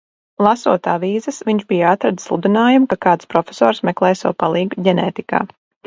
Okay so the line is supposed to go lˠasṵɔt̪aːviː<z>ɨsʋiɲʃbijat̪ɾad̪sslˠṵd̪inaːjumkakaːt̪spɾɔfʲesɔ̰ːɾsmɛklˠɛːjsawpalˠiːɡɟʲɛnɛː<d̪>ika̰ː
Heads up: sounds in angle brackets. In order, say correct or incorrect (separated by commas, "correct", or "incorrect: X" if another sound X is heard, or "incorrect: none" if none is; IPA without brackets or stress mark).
correct, incorrect: t̪